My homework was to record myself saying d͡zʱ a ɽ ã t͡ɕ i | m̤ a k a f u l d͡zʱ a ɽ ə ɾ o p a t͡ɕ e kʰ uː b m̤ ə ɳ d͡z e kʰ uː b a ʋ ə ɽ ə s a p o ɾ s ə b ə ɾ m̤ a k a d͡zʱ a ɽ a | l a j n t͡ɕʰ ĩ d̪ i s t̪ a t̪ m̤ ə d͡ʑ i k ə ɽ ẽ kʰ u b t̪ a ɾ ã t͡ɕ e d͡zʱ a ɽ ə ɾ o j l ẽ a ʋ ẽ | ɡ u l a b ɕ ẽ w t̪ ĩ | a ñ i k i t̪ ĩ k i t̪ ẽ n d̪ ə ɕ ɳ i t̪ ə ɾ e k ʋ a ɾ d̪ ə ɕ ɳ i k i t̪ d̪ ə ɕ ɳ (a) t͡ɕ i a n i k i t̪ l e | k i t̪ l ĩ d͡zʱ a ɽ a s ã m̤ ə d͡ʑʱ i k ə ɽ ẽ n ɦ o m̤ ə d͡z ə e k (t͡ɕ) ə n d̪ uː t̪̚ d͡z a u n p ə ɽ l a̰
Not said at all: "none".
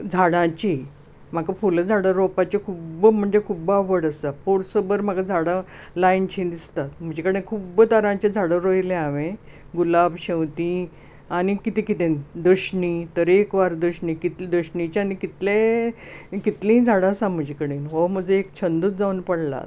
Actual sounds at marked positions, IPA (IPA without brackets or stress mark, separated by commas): i, t͡ɕʰ